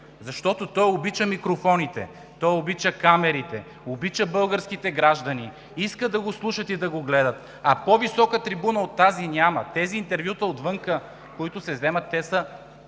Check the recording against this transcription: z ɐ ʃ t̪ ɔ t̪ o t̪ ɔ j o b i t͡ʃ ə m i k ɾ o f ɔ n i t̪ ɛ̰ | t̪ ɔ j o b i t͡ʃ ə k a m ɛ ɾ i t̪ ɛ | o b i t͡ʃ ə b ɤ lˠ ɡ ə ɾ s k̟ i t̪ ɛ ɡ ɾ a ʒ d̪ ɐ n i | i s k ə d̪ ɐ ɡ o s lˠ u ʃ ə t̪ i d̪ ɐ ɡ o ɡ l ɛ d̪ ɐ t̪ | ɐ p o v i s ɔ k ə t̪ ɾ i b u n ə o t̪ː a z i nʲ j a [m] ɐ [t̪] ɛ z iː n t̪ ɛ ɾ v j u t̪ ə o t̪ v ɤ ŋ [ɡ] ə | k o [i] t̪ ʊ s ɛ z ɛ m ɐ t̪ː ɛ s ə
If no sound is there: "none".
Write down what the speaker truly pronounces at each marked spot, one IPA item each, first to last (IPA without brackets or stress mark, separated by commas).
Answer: m, t̪, k, i